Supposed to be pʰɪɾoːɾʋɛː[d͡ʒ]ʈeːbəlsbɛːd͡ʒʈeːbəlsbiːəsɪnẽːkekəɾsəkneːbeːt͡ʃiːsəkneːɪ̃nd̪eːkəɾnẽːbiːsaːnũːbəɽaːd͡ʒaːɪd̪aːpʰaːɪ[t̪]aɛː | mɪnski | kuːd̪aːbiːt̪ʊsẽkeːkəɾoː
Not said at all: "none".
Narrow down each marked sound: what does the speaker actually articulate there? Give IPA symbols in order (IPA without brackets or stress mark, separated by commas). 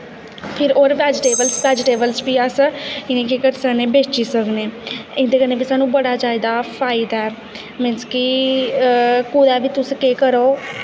d͡ʒ, d̪